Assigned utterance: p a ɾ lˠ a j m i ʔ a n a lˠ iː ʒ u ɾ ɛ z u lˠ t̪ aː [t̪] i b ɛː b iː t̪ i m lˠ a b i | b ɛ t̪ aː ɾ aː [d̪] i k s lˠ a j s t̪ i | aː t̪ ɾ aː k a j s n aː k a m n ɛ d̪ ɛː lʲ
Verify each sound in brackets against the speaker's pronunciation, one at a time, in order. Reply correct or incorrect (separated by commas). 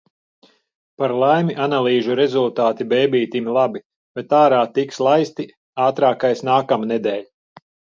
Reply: correct, incorrect